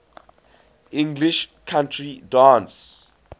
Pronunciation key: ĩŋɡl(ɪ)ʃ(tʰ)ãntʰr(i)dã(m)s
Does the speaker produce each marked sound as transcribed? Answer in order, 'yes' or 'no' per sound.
no, no, yes, no

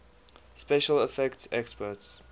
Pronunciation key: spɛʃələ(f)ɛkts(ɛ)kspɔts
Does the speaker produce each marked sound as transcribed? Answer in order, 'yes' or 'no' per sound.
yes, yes

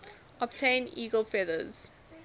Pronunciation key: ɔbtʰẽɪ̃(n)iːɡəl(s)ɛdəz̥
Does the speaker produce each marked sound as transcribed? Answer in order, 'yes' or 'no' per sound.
yes, no

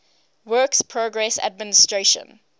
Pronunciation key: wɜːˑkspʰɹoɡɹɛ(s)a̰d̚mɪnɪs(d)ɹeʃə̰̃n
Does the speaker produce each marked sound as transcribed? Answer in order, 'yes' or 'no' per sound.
yes, no

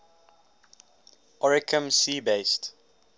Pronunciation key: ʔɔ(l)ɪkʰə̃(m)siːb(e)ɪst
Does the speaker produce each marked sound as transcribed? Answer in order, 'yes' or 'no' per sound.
no, yes, yes

